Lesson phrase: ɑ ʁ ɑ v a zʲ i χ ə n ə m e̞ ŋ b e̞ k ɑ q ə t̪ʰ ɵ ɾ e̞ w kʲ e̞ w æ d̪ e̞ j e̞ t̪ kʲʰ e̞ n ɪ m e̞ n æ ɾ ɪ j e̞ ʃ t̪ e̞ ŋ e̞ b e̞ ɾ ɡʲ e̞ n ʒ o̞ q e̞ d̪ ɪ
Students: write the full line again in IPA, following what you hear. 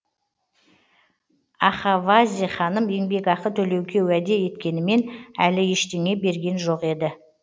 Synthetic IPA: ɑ χ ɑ v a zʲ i χ ɑ n ə m e̞ ŋ b e̞ k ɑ q ə t̪ʰ ɵ l e̞ w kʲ e̞ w æ d̪ e̞ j e̞ t̪ kʲ e̞ n ɪ m e̞ n æ l ɪ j e̞ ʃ t̪ e̞ ŋ e̞ b e̞ ɾ ɡʲ e̞ n ʒ o̞ q e̞ d̪ ɪ